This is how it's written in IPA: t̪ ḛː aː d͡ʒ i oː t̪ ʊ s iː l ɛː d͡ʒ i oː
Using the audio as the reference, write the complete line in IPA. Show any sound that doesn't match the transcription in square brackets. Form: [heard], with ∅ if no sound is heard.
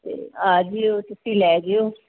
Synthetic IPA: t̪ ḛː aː d͡ʒ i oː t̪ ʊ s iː l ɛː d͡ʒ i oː

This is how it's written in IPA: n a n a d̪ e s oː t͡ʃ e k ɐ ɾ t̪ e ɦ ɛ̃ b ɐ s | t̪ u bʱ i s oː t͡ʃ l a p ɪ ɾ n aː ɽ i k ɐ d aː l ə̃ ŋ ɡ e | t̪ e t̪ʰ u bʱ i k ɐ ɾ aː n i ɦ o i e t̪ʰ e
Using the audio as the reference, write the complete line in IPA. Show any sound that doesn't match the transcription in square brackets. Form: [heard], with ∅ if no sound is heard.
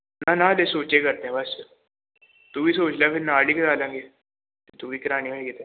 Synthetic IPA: n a n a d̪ e s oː t͡ʃ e k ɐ ɾ t̪ e ɦ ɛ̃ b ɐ s | t̪ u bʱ i s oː t͡ʃ l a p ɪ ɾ n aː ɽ i k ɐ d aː l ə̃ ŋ ɡ e | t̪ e [t̪] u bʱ i k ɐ ɾ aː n i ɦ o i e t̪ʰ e

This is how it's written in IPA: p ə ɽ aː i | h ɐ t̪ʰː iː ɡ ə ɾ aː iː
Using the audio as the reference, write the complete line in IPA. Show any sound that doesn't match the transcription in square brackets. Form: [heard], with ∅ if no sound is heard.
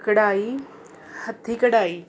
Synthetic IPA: [k] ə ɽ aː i | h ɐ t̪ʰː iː [k] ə [ɽ] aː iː

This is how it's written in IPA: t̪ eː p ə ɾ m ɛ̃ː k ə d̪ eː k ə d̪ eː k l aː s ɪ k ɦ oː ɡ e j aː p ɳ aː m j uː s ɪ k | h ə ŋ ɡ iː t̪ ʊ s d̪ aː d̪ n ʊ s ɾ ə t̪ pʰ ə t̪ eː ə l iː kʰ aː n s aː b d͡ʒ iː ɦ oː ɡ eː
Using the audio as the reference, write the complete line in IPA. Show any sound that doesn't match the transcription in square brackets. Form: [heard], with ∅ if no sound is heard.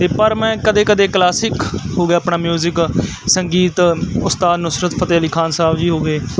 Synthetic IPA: t̪ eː p ə ɾ m ɛ̃ː k ə d̪ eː k ə d̪ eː k l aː s ɪ k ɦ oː ɡ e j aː p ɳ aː m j uː [z] ɪ k | [s] ə ŋ ɡ iː t̪ ʊ s [t̪] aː d̪ n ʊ s ɾ ə t̪ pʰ ə t̪ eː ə l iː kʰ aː n s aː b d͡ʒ iː ɦ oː ɡ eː

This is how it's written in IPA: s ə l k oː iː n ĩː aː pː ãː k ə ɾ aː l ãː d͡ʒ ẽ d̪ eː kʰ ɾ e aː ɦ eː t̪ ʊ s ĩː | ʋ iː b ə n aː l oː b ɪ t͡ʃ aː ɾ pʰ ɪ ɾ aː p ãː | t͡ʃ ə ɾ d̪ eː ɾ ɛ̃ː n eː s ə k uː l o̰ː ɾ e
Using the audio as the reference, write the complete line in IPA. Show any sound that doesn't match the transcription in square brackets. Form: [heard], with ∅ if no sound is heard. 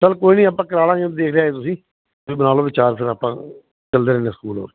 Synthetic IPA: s ə l k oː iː n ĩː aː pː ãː k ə ɾ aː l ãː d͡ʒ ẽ d̪ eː kʰ ɾ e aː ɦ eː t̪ ʊ s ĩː | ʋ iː b ə n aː l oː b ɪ t͡ʃ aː ɾ pʰ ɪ ɾ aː p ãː | t͡ʃ ə [l] d̪ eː ɾ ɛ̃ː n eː s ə k uː l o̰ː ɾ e

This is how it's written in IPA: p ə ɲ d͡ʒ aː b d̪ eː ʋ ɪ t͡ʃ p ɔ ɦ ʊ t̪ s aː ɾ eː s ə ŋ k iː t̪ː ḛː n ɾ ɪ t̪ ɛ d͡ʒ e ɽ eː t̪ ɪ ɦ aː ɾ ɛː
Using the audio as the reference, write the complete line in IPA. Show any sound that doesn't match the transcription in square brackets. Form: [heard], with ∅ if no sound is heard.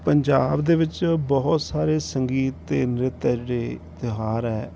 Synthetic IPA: p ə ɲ d͡ʒ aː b d̪ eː ʋ ɪ t͡ʃ [b] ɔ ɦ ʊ t̪ s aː ɾ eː s ə ŋ [ɡ] iː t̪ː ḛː n ɾ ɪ t̪ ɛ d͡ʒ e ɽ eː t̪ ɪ ɦ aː ɾ ɛː

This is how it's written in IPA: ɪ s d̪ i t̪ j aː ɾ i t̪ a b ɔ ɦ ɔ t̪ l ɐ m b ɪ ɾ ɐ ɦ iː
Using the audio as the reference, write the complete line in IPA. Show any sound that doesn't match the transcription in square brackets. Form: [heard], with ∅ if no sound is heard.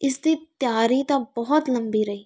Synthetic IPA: ɪ s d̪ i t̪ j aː ɾ i t̪ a b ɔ ɦ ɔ t̪ l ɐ m b [i] ɾ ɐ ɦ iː

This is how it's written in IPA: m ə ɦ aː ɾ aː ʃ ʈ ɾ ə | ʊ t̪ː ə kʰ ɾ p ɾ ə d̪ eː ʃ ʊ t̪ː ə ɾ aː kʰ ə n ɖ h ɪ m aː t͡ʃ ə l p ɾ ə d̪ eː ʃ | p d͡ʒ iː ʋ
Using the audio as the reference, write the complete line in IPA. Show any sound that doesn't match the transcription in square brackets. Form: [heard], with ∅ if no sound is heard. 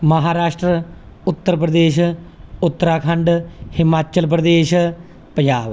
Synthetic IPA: m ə ɦ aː ɾ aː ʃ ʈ ɾ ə | ʊ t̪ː ə [∅] ɾ p ɾ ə d̪ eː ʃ ʊ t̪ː ə ɾ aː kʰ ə [ɳ] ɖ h ɪ m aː t͡ʃ ə l p ɾ ə d̪ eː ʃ | p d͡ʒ [aː] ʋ

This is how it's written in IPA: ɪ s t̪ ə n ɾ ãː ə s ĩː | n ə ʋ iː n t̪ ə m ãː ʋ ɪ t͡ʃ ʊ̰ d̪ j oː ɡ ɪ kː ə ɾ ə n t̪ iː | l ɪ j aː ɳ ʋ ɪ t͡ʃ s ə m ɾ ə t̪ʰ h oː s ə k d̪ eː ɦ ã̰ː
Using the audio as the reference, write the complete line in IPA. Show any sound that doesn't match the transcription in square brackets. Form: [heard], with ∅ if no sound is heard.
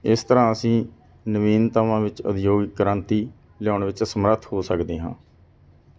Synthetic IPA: ɪ s t̪ ə [∅] ɾ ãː ə s ĩː | n ə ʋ iː n t̪ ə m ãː ʋ ɪ t͡ʃ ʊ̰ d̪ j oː ɡ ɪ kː ə ɾ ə n t̪ iː | l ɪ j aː ɳ ʋ ɪ t͡ʃ s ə m ɾ ə t̪ʰ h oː s ə k d̪ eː ɦ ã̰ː

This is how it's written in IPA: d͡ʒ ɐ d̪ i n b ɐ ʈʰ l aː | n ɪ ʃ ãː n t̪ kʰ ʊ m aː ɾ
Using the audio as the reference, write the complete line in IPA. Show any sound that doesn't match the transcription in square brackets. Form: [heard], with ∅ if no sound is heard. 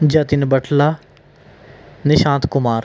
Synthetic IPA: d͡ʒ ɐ [t̪] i n b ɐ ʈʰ l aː | n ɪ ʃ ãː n t̪ [k] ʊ m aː ɾ

